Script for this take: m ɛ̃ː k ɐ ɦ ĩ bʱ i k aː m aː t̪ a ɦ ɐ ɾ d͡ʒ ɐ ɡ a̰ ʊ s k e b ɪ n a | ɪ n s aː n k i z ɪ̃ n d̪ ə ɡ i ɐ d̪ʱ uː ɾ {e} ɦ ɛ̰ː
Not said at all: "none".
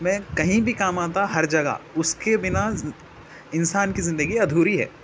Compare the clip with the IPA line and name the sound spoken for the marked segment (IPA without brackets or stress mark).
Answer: i